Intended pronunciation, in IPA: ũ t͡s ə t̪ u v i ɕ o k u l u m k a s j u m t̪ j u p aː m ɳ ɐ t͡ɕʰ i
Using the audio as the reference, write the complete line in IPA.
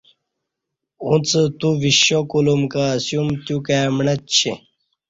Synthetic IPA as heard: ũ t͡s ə t̪ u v i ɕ o k u l u m k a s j u m t̪ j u k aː m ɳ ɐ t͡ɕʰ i